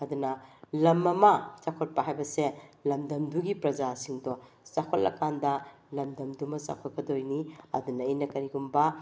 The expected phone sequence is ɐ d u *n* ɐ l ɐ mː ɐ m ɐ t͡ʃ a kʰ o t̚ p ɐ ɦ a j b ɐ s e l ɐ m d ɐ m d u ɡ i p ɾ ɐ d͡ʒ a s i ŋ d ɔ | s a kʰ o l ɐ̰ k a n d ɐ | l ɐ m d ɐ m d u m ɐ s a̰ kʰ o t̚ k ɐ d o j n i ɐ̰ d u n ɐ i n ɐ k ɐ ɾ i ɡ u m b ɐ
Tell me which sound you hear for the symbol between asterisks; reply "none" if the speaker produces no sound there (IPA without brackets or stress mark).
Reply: n